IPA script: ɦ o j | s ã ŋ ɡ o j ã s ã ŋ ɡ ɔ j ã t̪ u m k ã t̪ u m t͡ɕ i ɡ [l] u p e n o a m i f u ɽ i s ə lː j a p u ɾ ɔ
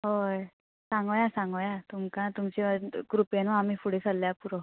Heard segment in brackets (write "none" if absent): ɾ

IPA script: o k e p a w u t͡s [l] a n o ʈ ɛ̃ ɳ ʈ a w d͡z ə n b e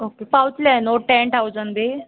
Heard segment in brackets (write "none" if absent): l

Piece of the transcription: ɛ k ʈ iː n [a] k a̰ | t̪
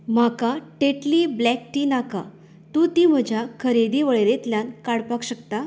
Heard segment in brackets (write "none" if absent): a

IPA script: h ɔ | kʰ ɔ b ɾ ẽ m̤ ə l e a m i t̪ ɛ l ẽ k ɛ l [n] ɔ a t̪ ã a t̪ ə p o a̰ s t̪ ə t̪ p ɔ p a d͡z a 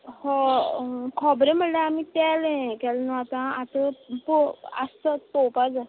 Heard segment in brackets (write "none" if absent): n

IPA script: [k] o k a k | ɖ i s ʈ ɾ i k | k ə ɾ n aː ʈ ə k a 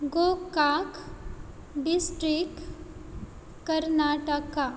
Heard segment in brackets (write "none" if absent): ɡ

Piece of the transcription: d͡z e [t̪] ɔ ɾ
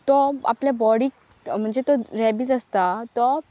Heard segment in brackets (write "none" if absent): t̪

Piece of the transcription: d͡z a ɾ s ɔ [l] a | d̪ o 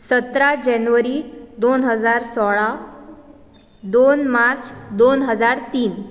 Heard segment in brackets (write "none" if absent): ɭ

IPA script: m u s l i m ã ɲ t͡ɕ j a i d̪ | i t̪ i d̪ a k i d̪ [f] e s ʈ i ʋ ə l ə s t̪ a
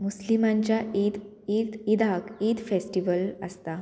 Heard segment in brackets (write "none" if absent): f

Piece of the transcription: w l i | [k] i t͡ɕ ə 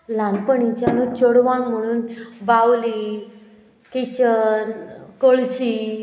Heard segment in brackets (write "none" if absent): k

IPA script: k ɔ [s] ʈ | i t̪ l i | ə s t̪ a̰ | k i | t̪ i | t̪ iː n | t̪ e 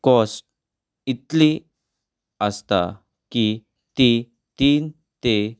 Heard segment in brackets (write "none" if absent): s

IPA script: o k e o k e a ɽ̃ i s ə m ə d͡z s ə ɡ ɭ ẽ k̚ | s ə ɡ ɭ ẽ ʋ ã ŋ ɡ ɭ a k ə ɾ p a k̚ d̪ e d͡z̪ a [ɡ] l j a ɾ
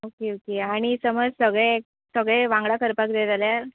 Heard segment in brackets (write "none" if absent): none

